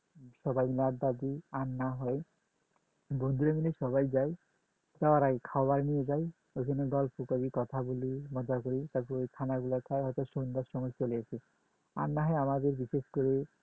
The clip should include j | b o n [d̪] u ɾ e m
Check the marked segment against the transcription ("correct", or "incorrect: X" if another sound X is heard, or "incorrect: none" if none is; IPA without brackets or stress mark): correct